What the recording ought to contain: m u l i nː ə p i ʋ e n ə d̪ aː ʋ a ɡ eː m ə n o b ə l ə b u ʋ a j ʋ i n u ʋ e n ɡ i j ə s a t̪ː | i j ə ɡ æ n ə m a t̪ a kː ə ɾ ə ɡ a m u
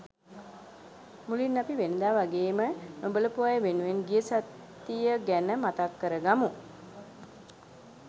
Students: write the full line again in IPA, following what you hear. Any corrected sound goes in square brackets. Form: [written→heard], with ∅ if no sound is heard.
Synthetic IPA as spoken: m u l i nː [ə→a] p i ʋ e n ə d̪ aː ʋ a ɡ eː m ə n o b ə l ə [b→p] u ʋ a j ʋ [i→e] n u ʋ e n ɡ i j ə s a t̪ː | i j ə ɡ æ n ə m a t̪ a kː ə ɾ ə ɡ a m u